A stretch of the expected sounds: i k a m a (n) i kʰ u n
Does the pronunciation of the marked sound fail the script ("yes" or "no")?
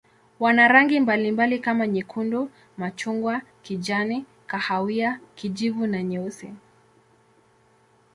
yes